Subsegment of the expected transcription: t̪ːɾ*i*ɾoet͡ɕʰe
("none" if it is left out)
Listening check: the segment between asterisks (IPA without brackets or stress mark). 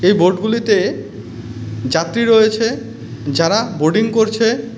i